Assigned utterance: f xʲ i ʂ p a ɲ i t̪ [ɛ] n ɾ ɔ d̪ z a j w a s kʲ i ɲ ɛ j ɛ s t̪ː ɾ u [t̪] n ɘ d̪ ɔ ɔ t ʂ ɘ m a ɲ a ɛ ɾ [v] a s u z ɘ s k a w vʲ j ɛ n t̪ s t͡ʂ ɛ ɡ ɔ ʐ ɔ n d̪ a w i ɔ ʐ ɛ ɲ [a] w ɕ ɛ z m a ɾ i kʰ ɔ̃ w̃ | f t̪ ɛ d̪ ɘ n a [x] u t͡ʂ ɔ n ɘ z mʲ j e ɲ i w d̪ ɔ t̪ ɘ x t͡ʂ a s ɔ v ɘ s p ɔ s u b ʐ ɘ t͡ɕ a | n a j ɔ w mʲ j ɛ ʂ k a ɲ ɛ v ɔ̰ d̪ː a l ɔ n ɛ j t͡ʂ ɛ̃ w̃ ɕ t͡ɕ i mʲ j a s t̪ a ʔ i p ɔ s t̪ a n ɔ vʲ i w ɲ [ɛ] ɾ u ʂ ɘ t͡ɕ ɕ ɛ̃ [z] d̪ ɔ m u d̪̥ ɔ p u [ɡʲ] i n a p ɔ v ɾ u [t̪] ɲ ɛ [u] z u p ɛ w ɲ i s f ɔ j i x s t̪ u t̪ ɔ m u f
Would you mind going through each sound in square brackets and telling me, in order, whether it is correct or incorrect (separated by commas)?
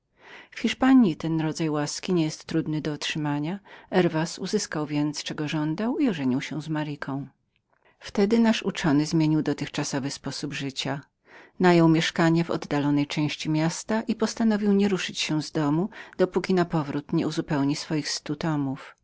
correct, incorrect, correct, incorrect, incorrect, correct, correct, incorrect, correct, correct